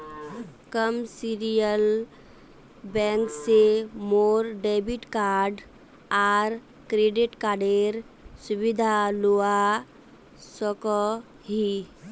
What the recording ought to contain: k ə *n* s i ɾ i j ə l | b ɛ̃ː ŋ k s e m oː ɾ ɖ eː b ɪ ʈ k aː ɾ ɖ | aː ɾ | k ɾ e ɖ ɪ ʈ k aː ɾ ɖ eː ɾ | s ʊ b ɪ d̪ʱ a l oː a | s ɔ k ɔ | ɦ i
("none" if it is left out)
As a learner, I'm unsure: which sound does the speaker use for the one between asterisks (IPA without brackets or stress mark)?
m